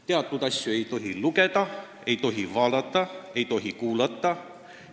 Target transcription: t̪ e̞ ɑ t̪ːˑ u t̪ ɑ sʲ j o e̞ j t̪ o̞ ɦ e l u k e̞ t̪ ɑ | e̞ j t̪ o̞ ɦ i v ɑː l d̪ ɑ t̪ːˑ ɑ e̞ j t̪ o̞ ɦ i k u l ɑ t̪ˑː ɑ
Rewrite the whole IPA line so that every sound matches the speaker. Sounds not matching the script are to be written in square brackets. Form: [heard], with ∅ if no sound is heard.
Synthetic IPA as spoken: t̪ e̞ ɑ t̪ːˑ u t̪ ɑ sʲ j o e̞ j t̪ o̞ ɦ [i] l u k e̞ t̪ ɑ | e̞ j t̪ o̞ ɦ i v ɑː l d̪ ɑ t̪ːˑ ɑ e̞ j t̪ o̞ ɦ i k [uː] l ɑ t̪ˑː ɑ